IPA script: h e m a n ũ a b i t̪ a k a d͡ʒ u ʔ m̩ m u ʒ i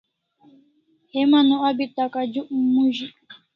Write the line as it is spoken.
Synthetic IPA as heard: h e m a n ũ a b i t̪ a k a d͡ʒ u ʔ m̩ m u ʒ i

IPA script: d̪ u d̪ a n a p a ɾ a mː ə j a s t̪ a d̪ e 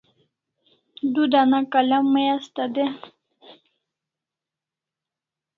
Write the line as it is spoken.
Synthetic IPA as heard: d̪ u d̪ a n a k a l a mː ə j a s t̪ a d̪ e

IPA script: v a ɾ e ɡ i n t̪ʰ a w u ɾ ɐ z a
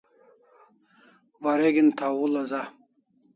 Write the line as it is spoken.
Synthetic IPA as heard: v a ɾ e ɡ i n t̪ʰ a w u l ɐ z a

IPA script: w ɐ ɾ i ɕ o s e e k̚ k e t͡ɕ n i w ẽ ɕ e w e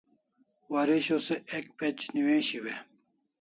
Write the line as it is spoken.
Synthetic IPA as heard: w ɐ ɾ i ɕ o s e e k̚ p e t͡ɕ n i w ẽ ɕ i w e

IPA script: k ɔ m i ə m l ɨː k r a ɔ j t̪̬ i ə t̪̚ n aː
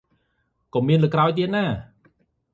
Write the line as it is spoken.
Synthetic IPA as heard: k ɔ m i ə n l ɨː k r a ɔ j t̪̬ i ə t̪̚ n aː

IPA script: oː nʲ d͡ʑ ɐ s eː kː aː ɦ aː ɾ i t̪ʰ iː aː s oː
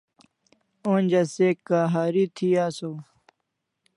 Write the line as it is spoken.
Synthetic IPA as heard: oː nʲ d͡ʑ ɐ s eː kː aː ɦ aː ɾ i t̪ʰ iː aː s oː

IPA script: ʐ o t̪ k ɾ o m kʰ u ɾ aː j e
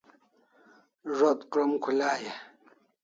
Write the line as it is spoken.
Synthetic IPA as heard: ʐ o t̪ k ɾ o m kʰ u l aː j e

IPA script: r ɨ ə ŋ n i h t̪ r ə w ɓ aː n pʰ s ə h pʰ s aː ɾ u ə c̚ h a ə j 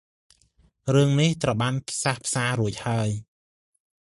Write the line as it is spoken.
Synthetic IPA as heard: r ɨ ə ŋ n i h t̪ r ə w ɓ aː n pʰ s a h pʰ s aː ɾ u ə c̚ h a ə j

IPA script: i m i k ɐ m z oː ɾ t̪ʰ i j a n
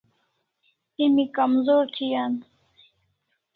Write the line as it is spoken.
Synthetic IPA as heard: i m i k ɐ m z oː ɾ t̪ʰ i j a n

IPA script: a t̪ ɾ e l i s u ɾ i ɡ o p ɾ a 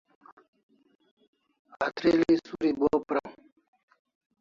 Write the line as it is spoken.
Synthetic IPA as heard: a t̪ ɾ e l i s u ɾ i b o p ɾ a

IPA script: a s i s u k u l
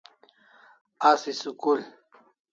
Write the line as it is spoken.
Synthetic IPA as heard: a s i s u k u l

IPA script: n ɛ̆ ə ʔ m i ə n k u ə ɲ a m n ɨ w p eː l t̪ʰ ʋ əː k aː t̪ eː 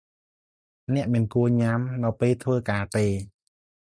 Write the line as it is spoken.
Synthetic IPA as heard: n ɛ̆ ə ʔ m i ə n k u ə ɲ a m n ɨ w p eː l t̪ʰ ʋ əː k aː t̪ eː

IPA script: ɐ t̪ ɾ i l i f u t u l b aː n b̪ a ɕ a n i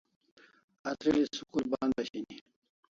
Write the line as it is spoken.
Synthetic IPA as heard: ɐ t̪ ɾ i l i s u k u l b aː n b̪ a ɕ i n i

